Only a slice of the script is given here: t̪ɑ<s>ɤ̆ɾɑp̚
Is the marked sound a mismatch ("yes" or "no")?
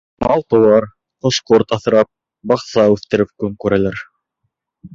yes